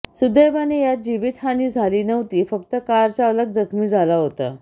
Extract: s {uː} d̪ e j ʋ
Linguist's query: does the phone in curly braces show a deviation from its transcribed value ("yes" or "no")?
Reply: yes